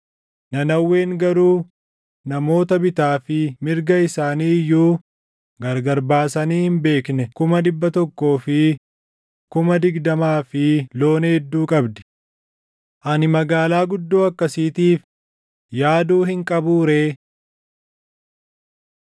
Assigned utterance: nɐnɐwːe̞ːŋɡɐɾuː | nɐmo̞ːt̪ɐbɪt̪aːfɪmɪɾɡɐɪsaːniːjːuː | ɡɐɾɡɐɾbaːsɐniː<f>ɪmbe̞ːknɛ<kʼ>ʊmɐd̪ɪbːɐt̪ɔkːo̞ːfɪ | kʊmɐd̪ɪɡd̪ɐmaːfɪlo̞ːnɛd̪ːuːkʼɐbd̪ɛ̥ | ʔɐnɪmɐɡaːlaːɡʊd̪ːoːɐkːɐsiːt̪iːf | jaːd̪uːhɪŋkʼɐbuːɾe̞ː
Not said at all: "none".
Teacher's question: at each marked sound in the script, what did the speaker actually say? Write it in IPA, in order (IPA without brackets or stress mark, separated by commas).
h, k